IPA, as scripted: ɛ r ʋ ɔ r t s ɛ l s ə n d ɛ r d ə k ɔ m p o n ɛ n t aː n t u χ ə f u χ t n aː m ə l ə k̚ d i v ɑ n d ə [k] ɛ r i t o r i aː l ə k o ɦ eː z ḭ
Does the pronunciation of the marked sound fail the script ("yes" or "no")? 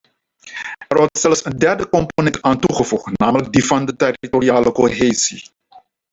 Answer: yes